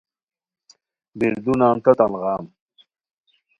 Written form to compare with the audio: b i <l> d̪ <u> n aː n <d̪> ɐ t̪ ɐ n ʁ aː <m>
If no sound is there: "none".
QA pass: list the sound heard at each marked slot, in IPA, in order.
ɾ, u, t̪, m

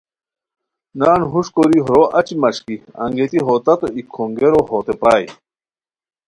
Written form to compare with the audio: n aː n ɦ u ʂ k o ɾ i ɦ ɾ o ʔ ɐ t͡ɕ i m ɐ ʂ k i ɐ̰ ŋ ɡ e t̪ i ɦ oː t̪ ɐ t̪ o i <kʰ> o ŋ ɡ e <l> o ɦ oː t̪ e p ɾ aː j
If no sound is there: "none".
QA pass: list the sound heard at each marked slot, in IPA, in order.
kʰ, ɾ

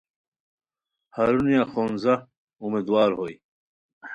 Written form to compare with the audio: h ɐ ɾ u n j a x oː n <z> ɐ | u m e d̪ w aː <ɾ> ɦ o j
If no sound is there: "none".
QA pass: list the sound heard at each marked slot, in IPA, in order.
z, ɾ

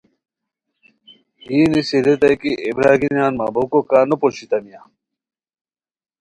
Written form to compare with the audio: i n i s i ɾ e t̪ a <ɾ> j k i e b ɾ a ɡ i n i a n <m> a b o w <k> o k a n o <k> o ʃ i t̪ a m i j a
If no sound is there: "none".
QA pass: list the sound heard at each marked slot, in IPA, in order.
none, m, k, p

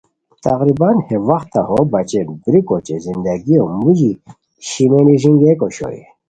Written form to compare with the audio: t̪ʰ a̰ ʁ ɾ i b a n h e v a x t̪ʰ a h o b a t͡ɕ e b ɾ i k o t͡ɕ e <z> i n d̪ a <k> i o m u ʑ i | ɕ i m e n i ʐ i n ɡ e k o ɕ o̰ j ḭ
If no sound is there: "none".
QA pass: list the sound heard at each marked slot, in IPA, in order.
z, ɡ

